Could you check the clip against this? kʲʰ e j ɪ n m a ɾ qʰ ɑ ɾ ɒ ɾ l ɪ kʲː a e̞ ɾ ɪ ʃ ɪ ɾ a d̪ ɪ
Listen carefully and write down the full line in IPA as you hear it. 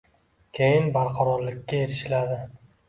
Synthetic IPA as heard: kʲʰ e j ɪ n b a ɾ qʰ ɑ ɾ ɒ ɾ l ɪ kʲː a e̞ ɾ ɪ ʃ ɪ l a d̪ ɪ